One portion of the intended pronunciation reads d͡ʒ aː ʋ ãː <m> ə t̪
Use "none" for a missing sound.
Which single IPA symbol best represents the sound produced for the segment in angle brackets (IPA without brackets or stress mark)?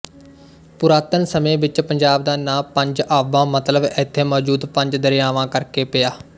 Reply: m